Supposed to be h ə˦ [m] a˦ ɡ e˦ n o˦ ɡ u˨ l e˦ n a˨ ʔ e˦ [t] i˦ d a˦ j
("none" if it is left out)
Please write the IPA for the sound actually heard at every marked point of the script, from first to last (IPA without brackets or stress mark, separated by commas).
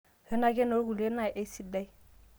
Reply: n, s